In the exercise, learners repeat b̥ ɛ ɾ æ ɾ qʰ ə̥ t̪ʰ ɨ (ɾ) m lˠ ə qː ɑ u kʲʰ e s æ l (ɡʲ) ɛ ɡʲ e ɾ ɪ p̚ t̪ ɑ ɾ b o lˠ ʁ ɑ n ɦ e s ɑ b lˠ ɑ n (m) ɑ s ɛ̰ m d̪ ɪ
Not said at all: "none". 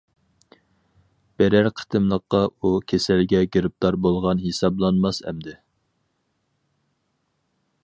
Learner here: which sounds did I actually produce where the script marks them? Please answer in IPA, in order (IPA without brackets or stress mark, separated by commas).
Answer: none, ɡʲ, m